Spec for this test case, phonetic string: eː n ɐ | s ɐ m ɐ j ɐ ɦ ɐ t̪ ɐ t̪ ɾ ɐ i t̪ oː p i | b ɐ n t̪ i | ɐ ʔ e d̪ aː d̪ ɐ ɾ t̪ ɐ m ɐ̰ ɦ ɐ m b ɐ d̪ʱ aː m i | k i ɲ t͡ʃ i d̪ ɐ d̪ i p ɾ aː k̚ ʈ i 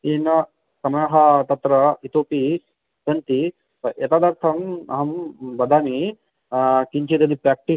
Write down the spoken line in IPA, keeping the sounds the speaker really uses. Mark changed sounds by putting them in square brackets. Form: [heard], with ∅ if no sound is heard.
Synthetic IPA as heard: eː n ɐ | s ɐ m ɐ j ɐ ɦ ɐ t̪ ɐ t̪ ɾ ɐ i t̪ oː p i | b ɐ n t̪ i | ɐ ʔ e [t̪] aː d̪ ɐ ɾ [t̪ʰ] ɐ m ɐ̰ ɦ ɐ m b ɐ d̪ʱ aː m i | k i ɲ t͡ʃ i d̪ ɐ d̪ i p ɾ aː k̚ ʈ i